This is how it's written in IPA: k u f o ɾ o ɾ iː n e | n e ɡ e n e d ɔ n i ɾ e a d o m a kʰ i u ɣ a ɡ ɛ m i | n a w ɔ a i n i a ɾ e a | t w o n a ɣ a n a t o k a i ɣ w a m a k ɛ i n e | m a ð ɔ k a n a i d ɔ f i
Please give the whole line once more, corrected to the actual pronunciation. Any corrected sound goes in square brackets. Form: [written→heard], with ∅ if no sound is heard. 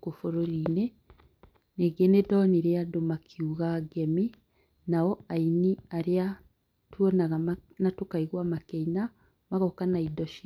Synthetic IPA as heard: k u f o ɾ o ɾ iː n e | n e ɡ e n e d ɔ n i ɾ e a d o m a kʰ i u ɣ a ɡ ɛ m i | n a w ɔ a i n i a ɾ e a | t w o n a ɣ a n a t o k a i ɣ w a m a k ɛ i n [e→a] | m a [ð→ɣ] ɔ k a n a i d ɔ [f→ʃ] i